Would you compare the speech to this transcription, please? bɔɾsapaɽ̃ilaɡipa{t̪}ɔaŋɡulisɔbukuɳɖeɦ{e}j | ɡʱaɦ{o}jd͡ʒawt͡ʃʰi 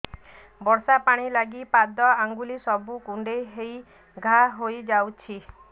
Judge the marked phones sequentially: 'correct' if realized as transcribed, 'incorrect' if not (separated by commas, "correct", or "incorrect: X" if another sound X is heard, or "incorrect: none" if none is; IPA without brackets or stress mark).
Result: incorrect: d̪, correct, correct